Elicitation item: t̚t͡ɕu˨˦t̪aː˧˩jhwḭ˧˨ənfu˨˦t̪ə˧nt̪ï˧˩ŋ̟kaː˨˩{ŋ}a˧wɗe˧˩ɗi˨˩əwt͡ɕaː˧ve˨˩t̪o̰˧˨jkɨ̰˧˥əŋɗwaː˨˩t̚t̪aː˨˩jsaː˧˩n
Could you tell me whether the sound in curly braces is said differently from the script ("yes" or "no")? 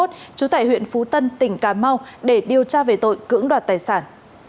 yes